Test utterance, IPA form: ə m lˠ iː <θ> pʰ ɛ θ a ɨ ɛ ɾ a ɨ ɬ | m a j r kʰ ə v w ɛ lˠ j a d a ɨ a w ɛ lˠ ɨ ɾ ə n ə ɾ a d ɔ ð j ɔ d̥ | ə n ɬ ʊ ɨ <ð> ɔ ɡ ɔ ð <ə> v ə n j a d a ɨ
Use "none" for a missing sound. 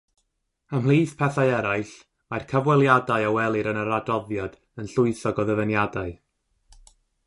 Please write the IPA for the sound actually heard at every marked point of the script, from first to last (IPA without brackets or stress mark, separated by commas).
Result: θ, θ, ə